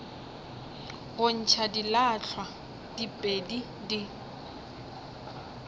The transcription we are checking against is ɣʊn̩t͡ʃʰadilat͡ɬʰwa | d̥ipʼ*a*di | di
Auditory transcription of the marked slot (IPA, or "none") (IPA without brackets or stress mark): e